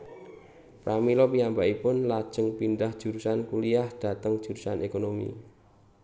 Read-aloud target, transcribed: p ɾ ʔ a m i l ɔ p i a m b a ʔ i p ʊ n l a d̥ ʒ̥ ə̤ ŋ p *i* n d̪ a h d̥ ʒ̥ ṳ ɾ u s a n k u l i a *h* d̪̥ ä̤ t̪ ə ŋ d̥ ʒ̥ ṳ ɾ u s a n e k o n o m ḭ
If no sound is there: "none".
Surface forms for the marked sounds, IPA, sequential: i, h

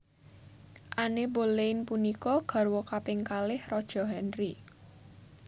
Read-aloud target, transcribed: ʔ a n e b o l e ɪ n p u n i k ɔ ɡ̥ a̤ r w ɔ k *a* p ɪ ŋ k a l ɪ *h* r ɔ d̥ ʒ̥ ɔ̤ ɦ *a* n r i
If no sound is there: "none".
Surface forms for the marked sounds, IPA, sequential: a, h, ɛ

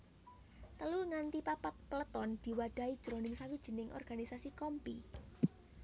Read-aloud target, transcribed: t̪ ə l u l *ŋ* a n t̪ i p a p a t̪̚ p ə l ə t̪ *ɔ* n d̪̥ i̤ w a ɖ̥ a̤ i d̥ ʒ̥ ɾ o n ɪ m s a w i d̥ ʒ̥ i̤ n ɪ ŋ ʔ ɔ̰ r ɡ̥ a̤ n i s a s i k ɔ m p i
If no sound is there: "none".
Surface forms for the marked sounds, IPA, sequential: ŋ, ɔ

